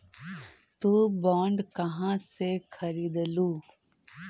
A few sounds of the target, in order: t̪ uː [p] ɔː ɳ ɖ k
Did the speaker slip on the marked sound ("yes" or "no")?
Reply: yes